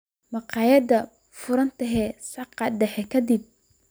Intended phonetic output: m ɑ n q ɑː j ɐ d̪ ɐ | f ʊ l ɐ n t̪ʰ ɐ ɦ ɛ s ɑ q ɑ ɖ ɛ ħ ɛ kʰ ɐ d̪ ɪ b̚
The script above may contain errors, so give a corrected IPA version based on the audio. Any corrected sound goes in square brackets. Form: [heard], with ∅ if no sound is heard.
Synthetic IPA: m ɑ [∅] q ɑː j ɐ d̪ ɐ | f ʊ [ɾ] ɐ n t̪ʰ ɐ ɦ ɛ s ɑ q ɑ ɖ ɛ ħ ɛ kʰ ɐ d̪ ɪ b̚